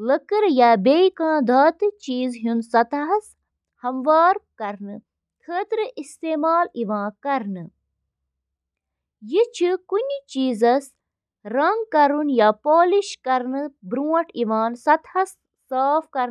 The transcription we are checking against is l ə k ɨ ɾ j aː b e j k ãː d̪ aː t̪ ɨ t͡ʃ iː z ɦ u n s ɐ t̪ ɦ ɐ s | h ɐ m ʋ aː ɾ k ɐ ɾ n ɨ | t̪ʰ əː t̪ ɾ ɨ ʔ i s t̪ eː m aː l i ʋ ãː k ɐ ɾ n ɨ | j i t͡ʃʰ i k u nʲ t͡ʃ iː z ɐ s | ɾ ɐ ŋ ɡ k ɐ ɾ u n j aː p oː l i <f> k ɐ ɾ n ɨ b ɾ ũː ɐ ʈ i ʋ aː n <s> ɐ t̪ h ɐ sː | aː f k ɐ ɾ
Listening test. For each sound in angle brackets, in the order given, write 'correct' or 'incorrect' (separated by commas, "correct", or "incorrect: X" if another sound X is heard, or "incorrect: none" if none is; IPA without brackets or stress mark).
incorrect: ʃ, correct